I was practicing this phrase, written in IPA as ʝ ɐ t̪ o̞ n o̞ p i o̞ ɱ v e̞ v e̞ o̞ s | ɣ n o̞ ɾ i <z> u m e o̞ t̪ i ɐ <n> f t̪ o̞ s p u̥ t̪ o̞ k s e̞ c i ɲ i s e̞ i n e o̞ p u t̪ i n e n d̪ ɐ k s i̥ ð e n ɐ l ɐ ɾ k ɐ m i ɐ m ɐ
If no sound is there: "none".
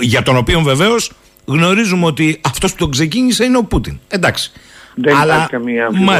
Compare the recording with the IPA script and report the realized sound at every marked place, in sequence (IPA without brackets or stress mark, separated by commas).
z, none